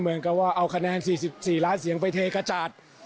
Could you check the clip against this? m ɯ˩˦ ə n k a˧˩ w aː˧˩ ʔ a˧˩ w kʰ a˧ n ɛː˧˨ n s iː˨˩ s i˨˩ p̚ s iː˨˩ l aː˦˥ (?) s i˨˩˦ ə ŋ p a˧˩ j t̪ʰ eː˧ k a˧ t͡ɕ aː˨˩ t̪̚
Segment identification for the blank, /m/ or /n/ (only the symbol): n